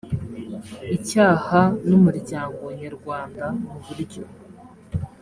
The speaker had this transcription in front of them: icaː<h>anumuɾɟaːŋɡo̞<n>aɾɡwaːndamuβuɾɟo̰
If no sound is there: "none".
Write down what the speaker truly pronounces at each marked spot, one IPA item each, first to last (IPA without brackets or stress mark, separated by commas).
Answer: h, ɲ